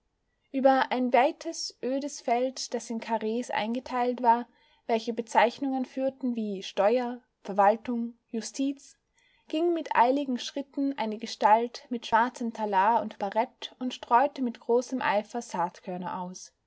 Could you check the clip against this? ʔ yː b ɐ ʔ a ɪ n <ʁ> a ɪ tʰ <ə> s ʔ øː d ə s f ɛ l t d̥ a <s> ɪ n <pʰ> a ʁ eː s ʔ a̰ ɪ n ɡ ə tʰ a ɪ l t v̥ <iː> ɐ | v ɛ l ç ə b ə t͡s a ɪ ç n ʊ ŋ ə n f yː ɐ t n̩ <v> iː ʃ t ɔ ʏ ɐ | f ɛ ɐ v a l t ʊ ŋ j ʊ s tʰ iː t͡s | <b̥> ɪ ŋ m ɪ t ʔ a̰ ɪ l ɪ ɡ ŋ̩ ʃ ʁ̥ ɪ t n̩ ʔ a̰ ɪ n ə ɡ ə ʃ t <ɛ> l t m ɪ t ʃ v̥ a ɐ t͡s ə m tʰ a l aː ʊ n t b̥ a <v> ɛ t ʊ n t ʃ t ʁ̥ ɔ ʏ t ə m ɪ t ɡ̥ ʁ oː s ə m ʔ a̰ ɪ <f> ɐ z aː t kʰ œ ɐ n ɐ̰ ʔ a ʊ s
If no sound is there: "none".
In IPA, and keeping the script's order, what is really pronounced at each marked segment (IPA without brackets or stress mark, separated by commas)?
v, ə, s, kʰ, aː, v, ɡ̥, a, ʁ, f